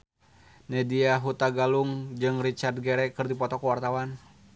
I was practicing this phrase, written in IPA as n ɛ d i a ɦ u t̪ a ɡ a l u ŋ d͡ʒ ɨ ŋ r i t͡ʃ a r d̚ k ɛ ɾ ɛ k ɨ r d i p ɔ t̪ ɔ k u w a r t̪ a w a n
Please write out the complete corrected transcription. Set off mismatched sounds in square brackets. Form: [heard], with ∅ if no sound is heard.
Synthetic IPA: n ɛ d i a ɦ u t̪ a ɡ a l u ŋ d͡ʒ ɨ ŋ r i t͡ʃ a r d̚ [ɡ] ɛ ɾ ɛ k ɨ r d i p ɔ t̪ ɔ k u w a r t̪ a w a n